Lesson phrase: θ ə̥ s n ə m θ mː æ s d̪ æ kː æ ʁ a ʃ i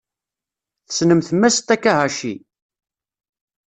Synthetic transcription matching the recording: θ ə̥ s n ə m θ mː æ s t̪ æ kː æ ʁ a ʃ i